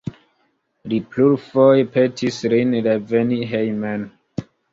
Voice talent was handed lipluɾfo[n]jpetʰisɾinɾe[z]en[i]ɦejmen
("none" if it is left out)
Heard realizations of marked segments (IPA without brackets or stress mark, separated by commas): none, v, i